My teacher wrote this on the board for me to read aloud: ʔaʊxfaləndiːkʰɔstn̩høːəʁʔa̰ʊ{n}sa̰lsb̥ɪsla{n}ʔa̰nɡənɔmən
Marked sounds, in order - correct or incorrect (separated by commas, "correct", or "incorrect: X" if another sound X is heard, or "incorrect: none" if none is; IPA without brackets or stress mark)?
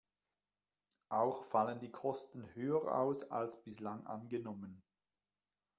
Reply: incorrect: none, incorrect: ŋ